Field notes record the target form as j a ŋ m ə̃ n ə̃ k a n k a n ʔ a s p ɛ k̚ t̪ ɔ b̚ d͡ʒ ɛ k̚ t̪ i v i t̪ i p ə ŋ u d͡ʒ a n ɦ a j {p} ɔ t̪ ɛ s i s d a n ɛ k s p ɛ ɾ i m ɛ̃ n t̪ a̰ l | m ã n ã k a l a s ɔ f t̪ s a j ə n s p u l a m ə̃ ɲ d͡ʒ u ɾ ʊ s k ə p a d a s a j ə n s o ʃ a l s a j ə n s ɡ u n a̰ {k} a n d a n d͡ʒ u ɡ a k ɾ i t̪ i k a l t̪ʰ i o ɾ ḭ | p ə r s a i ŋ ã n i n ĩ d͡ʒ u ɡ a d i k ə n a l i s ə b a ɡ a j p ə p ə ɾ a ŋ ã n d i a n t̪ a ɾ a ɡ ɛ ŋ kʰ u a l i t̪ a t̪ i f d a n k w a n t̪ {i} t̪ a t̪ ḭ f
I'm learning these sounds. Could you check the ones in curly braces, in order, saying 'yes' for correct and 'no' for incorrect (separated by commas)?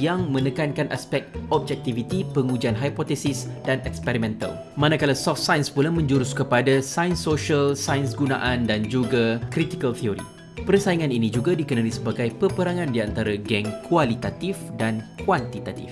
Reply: yes, no, yes